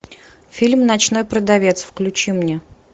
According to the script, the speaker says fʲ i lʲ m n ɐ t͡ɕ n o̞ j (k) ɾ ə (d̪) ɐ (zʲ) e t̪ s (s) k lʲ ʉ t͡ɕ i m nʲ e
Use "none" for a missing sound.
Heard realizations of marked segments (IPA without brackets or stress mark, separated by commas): p, d̪, vʲ, f